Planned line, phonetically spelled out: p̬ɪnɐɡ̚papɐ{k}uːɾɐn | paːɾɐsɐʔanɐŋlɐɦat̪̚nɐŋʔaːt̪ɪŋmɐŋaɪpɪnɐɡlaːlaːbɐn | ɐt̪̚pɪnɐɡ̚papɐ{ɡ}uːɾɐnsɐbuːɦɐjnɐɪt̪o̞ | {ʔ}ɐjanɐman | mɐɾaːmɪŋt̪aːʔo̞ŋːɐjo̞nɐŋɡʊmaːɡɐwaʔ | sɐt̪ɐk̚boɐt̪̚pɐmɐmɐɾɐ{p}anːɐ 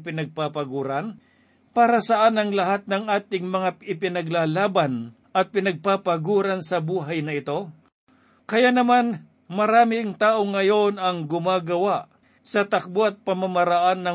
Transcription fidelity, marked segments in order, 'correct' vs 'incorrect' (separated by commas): incorrect, correct, incorrect, incorrect